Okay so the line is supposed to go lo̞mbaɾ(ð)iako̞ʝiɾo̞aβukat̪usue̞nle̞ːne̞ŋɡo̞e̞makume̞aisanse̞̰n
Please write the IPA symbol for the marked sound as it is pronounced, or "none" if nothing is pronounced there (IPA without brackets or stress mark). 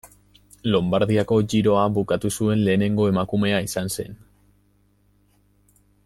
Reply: ð